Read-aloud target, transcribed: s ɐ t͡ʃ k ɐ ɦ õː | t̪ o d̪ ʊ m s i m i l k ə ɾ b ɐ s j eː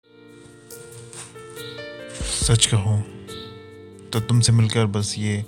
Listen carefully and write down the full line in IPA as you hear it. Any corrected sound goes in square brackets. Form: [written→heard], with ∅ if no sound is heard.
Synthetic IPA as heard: s ɐ t͡ʃ k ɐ ɦ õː | t̪ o [d̪→t̪] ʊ m s [i→e] m [i→ɪ] l k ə ɾ b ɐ s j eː